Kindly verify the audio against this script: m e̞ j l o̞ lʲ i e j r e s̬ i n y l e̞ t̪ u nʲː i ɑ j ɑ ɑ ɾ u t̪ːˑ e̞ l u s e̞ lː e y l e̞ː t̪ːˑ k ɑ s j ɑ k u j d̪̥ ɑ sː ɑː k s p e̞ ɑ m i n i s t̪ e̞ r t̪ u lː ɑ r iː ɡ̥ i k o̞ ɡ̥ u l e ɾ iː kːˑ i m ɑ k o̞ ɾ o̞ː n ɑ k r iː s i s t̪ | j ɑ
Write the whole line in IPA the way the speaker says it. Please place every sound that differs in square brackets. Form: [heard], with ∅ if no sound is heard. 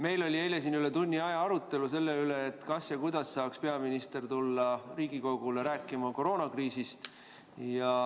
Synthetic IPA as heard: m e̞ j l o̞ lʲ i e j [l] e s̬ i n y l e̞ t̪ u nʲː i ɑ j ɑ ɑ ɾ u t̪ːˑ e̞ l u s e̞ lː e y l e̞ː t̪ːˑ k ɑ s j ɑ k u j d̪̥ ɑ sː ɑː k s p e̞ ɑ m i n i s t̪ e̞ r t̪ u lː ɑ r iː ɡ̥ i k o̞ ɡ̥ u l e ɾ [æː] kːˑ i m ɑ k o̞ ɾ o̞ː n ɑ k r iː s i s t̪ | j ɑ